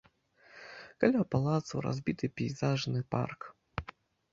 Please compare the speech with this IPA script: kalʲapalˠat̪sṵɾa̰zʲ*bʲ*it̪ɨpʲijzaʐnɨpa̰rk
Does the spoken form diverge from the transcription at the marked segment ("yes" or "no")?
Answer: no